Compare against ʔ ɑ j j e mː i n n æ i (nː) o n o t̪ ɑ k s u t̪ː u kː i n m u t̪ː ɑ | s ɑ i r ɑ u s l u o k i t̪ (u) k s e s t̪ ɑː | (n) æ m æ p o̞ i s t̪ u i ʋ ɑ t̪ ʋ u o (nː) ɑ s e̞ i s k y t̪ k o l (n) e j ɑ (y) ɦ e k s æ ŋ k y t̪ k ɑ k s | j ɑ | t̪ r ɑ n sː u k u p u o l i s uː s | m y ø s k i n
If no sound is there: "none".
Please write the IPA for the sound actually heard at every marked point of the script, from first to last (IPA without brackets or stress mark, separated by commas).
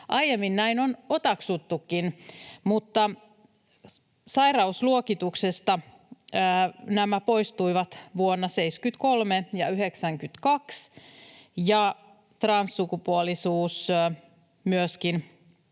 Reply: n, u, n, nː, m, y